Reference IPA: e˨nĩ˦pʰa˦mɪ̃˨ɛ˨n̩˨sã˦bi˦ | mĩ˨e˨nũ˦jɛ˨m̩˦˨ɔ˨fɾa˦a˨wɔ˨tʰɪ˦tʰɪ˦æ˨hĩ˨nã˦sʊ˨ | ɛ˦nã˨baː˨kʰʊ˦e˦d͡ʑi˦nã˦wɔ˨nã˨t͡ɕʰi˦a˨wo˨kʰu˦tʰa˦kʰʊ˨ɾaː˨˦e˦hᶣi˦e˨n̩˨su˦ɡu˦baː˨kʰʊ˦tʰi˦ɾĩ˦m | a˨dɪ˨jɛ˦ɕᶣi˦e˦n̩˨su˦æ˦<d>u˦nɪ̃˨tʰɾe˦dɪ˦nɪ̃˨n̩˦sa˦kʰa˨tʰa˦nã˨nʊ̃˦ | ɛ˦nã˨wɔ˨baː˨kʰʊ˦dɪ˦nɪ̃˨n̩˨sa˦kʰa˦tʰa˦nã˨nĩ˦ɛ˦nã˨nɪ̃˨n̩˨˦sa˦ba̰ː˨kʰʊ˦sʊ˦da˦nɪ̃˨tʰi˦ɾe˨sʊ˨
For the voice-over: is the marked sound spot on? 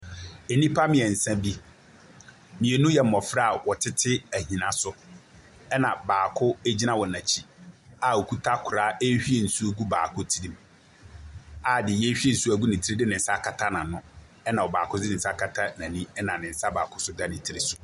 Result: no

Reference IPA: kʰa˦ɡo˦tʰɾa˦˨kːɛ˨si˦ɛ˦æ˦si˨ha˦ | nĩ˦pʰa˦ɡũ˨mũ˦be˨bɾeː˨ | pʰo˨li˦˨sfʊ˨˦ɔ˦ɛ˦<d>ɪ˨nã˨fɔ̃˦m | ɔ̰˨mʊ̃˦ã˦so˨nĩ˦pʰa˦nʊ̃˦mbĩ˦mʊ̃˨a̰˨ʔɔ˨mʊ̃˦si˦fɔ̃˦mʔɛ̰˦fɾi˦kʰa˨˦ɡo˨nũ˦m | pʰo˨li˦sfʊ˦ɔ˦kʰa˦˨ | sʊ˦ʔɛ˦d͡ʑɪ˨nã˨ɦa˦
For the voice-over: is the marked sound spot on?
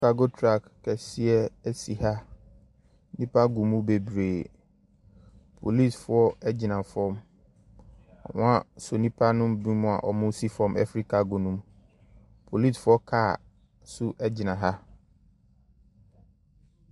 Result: no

